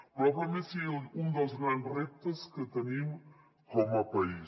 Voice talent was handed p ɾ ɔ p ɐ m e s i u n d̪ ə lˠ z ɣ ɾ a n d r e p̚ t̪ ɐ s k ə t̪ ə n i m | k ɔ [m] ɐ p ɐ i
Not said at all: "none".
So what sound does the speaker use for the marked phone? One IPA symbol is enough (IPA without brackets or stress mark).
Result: m